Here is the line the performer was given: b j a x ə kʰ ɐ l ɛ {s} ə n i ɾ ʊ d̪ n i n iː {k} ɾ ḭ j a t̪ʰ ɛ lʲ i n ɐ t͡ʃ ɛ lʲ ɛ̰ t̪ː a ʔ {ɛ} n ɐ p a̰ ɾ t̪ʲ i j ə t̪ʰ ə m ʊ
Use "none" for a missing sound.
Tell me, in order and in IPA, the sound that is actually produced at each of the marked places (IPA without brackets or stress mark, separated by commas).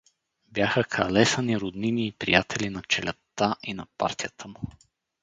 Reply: s, p, i